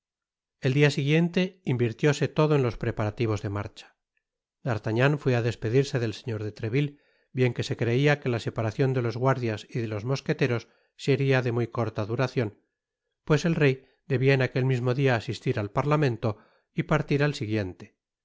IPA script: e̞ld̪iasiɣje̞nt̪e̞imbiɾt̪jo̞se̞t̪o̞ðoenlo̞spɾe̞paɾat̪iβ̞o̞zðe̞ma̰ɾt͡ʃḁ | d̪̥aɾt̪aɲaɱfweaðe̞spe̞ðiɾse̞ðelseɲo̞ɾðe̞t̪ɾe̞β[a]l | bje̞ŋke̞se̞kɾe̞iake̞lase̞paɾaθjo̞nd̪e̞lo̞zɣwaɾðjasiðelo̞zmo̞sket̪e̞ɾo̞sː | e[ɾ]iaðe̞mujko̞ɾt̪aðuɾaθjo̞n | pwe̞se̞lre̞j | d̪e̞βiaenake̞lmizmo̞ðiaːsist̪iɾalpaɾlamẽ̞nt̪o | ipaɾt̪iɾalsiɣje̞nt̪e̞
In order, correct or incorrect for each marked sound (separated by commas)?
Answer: incorrect, correct